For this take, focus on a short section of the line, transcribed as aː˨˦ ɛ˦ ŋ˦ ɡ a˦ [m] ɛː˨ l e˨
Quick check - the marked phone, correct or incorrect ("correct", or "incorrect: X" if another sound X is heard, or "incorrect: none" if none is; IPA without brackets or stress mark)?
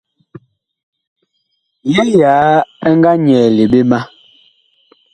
incorrect: ɲ